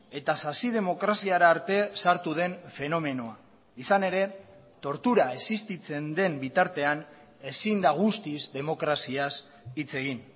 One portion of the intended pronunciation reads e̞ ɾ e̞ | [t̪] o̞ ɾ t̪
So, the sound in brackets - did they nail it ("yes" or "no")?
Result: yes